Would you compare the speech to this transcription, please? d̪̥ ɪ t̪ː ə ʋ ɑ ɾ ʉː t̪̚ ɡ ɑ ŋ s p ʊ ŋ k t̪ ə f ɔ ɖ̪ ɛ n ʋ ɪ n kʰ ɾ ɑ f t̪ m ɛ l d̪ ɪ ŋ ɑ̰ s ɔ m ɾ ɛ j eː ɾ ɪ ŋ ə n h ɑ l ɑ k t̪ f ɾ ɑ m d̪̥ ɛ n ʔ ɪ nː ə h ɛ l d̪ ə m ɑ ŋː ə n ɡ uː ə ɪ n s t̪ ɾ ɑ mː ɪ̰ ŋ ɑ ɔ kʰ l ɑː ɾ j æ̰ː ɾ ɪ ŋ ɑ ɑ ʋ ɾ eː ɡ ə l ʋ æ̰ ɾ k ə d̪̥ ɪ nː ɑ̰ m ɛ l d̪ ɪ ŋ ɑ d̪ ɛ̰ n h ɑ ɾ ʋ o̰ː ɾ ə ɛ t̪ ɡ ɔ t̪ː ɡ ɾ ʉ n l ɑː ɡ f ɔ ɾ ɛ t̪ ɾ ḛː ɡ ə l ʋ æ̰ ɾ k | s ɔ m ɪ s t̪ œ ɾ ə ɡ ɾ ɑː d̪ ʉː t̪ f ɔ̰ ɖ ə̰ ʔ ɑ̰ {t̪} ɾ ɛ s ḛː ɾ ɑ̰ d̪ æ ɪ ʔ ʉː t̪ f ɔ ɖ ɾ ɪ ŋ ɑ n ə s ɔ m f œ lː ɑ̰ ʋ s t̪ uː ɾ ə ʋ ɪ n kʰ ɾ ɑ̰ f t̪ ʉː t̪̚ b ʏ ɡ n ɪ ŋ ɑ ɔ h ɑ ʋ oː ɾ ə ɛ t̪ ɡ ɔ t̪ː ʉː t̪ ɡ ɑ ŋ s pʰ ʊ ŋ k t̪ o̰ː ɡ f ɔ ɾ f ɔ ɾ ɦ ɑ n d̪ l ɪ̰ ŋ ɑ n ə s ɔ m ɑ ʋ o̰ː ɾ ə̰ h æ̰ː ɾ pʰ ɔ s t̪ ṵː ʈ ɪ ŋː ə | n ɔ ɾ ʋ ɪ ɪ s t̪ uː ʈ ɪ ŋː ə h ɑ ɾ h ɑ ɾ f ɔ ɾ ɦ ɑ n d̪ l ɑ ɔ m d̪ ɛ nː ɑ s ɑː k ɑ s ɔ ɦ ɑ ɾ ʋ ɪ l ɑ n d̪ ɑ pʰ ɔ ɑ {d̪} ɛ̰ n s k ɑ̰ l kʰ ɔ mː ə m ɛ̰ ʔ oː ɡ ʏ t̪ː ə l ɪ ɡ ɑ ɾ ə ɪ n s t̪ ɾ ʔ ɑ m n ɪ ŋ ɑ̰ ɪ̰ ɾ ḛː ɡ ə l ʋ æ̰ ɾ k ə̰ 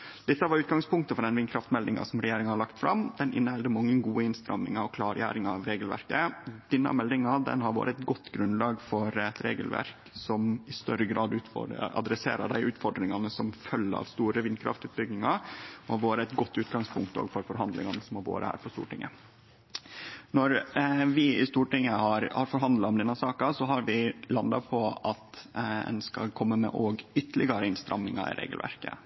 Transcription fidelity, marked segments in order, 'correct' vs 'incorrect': incorrect: d̪, incorrect: t̪

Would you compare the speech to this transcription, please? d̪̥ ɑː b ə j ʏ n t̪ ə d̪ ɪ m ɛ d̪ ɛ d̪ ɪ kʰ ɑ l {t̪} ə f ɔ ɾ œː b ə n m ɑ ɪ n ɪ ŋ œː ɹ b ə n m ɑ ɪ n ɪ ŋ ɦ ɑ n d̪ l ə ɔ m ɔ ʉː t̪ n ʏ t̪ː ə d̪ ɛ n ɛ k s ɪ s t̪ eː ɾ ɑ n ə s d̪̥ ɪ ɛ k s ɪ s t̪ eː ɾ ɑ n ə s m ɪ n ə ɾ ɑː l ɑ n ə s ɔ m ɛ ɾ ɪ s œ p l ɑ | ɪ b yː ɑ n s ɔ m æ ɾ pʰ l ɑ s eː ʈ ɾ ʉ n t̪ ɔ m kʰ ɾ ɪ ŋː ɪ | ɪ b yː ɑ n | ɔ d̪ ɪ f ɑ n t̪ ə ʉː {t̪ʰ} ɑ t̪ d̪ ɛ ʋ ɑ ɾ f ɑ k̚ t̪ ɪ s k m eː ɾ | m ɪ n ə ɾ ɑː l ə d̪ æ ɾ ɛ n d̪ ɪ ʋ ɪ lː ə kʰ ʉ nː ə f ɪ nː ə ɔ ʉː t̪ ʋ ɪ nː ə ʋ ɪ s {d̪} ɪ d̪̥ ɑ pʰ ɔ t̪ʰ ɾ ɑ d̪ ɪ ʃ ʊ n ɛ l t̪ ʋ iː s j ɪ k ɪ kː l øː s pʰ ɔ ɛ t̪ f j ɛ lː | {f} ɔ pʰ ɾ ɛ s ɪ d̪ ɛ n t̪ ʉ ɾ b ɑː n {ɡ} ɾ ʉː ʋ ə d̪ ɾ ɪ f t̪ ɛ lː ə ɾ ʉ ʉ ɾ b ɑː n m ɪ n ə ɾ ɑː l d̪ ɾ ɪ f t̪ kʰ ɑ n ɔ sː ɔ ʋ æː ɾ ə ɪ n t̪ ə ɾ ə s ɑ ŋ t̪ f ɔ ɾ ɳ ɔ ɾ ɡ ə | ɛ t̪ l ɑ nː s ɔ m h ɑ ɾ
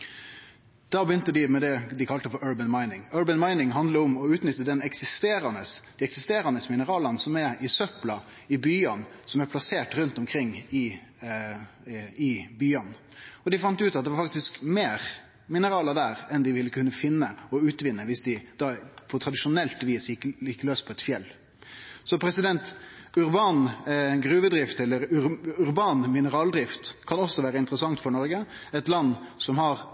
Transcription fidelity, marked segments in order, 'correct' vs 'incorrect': correct, incorrect: t̪, correct, incorrect: s, correct

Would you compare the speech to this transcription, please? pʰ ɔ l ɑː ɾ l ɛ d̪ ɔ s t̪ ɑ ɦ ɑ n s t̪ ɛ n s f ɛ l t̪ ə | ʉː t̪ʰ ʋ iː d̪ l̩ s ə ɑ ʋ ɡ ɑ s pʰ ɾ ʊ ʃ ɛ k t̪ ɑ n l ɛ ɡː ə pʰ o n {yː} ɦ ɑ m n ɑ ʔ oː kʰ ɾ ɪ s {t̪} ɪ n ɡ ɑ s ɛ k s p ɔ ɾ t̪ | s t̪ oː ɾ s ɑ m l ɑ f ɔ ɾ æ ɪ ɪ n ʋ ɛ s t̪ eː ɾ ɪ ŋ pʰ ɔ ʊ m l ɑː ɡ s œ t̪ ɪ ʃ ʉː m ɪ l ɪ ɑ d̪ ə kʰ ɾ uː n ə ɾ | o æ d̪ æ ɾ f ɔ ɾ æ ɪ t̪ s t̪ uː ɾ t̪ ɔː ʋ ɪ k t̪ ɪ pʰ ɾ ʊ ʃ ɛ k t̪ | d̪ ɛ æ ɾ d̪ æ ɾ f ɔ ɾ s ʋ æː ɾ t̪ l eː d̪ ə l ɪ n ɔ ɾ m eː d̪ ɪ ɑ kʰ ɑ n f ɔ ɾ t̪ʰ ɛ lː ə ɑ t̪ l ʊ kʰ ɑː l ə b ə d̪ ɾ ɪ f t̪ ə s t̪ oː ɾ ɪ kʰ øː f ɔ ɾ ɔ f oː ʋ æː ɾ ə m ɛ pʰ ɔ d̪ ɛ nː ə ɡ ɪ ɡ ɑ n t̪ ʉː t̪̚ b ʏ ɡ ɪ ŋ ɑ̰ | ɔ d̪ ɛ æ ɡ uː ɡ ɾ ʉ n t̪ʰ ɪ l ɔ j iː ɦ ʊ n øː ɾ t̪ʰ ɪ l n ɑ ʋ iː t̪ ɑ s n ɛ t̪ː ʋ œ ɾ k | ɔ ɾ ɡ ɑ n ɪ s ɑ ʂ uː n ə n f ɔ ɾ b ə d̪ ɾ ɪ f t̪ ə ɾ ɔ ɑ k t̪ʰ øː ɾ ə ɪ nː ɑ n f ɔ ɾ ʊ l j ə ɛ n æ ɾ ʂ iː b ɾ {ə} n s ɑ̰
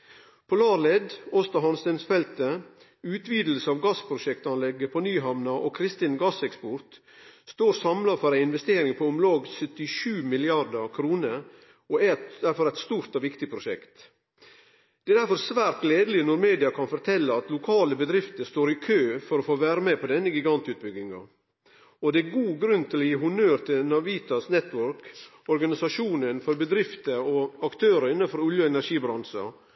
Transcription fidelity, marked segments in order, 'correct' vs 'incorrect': correct, correct, incorrect: ɑ

